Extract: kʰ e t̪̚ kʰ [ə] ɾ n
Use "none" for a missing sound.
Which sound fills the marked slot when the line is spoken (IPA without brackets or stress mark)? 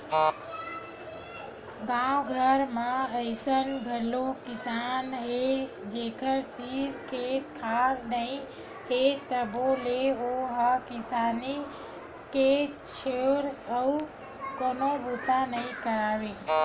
a